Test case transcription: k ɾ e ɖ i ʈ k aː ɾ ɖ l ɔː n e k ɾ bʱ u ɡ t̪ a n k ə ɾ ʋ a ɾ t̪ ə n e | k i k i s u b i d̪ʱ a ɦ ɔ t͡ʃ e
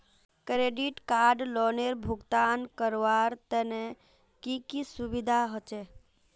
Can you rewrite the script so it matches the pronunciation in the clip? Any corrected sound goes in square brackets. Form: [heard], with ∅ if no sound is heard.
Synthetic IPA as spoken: k ɾ e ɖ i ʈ k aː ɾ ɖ l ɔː n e [∅] ɾ bʱ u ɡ t̪ a n k ə ɾ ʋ a ɾ t̪ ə n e | k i k i s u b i d̪ʱ a ɦ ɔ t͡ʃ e